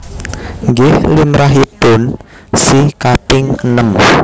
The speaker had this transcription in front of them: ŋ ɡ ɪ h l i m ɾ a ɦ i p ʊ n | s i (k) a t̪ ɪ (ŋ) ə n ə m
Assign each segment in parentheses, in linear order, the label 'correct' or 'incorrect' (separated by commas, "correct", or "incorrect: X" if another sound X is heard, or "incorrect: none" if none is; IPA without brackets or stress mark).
correct, correct